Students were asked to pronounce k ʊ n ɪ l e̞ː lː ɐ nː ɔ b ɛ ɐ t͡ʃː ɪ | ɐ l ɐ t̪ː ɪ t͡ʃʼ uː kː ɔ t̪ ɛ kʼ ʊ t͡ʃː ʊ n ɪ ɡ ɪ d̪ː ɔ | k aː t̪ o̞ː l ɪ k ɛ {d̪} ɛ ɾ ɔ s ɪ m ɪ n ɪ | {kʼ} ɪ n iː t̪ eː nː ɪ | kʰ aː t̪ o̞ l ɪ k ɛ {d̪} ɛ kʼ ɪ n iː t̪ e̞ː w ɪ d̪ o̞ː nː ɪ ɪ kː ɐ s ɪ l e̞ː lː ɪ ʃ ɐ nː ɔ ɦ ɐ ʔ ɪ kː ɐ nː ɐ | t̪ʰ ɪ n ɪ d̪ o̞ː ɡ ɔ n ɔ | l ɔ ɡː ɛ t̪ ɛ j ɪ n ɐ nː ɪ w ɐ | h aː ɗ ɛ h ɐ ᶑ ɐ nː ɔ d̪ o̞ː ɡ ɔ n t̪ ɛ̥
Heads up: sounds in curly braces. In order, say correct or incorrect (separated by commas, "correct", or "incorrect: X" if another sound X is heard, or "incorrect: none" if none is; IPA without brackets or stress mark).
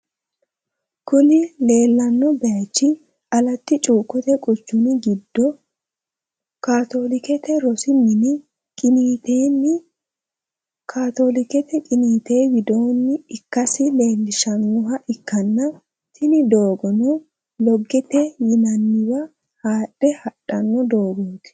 incorrect: t̪, correct, incorrect: t̪